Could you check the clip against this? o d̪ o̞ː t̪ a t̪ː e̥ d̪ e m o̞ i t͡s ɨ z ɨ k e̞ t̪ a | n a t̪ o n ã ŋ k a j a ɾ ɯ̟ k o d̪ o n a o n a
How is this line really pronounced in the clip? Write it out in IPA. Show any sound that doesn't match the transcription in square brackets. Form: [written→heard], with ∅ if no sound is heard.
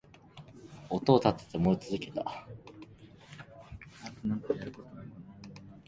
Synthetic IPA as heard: o [d̪→t̪] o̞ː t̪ a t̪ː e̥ [d̪→t̪] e m o̞ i t͡s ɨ z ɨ k e̞ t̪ a | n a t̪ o n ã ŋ k a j a ɾ ɯ̟ k o [d̪→t̪] o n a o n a